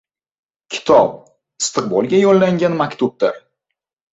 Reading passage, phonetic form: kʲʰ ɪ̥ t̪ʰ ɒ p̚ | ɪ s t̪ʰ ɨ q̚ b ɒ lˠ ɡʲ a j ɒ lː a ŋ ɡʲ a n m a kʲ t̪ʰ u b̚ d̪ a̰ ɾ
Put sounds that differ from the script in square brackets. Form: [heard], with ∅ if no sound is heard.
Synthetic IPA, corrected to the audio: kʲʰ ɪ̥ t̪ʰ ɒ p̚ | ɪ s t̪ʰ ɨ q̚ b ɒ lˠ ɡʲ a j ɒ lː a ŋ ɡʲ a n m a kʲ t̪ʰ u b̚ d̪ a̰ ɾ